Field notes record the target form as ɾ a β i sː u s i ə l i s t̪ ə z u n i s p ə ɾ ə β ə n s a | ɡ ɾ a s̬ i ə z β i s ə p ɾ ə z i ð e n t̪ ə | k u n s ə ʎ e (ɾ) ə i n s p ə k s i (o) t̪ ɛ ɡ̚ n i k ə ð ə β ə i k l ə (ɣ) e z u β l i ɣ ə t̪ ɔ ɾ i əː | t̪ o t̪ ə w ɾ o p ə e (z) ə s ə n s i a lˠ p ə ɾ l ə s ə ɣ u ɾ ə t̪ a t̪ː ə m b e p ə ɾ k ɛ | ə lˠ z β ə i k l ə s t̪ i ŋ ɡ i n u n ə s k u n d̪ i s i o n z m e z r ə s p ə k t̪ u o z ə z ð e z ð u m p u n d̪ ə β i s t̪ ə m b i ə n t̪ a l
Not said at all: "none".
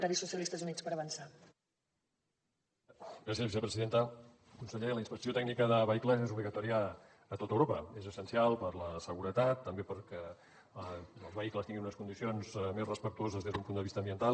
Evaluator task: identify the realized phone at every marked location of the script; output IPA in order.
l, o, z, z

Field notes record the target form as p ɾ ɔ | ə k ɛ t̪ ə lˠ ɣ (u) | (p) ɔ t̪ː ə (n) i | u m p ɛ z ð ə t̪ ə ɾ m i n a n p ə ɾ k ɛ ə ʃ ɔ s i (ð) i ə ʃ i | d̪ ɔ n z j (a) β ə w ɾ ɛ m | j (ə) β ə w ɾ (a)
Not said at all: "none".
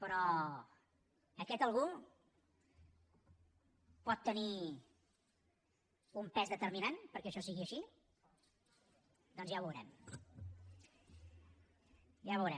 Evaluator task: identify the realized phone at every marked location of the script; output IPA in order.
u, p, n, ɣ, a, a, ɛ

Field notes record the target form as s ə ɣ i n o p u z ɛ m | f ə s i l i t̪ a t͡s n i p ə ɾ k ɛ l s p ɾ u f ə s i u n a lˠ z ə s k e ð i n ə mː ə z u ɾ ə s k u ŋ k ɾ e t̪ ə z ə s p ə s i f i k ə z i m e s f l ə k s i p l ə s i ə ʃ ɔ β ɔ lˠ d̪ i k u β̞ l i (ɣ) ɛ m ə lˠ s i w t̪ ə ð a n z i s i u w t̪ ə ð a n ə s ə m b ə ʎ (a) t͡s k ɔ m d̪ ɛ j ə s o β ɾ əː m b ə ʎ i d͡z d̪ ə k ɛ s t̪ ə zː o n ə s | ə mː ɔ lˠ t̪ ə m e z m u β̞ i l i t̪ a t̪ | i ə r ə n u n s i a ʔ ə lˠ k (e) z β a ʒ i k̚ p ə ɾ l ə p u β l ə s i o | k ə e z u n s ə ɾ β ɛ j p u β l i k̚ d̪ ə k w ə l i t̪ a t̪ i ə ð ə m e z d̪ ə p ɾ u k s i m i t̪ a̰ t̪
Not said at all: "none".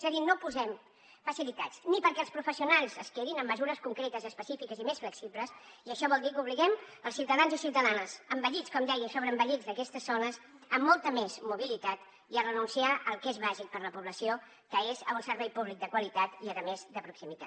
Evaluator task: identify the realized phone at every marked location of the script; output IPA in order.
ɣ, i, e

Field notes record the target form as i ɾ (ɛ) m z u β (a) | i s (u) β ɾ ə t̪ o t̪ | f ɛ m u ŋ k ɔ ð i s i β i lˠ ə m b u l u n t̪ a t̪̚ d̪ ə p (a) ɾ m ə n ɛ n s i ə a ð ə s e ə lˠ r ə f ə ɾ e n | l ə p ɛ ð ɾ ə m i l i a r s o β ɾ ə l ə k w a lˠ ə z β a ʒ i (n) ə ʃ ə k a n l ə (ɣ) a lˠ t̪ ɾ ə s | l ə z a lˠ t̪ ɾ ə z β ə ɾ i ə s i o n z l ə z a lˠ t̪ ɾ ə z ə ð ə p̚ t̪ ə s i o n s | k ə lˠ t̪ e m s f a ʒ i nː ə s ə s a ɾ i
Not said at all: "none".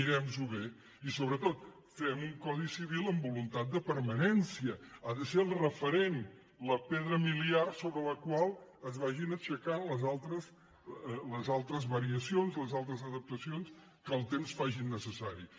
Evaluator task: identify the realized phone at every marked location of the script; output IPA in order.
ɛ, e, o, ə, n, z

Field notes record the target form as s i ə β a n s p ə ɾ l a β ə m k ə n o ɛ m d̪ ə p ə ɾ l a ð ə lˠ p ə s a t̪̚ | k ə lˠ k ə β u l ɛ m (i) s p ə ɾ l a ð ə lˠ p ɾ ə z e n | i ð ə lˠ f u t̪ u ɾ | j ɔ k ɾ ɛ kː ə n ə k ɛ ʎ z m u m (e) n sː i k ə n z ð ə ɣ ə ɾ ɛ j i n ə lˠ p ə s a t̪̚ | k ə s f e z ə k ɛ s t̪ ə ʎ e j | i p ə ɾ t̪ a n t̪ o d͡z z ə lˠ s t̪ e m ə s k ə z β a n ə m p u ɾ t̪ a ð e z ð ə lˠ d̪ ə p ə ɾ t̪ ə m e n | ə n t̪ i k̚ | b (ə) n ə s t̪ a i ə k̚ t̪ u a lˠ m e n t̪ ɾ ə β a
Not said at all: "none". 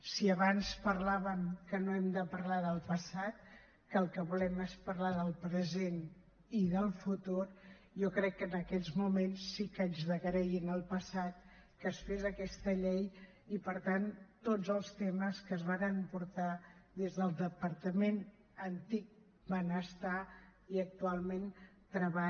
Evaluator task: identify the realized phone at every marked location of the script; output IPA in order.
e, e, ə

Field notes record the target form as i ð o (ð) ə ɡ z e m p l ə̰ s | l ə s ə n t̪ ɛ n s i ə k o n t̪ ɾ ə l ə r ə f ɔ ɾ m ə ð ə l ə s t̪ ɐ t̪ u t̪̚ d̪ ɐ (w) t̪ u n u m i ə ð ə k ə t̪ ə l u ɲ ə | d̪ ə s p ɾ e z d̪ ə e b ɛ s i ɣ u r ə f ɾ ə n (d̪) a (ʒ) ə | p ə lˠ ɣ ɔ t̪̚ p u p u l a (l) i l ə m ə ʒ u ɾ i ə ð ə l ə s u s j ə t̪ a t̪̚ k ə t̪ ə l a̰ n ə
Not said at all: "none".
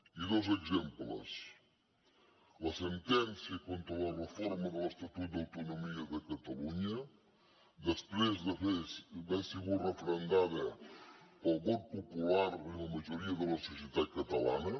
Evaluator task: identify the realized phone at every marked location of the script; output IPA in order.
z, w, d̪, ð, ɾ

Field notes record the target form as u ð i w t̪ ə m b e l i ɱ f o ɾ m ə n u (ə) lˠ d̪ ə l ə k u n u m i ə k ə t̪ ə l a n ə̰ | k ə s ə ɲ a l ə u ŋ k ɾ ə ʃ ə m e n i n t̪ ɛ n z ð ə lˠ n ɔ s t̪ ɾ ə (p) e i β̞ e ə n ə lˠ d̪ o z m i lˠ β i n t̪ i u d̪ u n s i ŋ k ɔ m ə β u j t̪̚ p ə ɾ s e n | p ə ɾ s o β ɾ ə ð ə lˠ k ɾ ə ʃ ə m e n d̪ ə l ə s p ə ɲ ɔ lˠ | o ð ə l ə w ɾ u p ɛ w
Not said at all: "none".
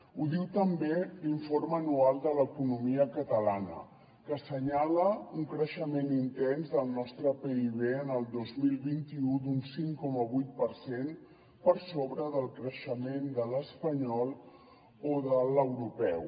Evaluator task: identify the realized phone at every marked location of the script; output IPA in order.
a, p

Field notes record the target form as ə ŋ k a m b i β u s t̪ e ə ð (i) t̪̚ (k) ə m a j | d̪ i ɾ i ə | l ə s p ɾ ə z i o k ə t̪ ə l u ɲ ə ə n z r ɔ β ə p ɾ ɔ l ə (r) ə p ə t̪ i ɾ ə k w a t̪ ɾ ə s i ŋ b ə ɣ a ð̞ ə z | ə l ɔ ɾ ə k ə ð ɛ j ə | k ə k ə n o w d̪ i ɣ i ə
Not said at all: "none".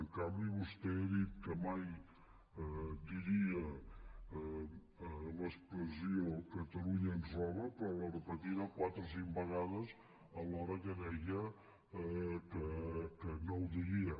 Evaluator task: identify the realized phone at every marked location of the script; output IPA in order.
i, k, r

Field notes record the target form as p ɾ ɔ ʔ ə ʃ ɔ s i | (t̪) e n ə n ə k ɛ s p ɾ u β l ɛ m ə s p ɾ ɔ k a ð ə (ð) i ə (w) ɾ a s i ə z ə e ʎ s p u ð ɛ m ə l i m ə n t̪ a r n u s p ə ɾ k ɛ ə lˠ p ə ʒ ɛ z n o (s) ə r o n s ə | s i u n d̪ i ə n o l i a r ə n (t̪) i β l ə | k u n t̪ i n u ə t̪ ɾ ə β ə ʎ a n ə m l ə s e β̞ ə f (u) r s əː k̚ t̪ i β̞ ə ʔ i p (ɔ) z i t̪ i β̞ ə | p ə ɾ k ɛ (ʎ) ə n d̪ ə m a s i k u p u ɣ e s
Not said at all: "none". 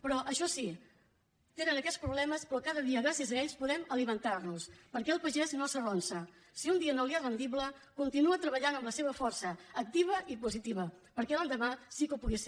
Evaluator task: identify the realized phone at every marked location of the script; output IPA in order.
t̪, ð, ɣ, s, d̪, ɔ, u, l

